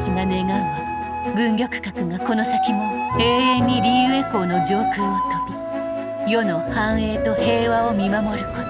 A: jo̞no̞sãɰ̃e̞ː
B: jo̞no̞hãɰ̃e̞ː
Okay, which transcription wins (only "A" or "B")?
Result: B